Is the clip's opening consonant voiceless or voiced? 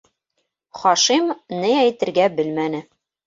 voiceless